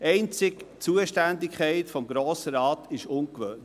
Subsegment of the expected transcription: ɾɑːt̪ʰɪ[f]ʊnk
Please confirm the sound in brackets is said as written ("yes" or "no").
no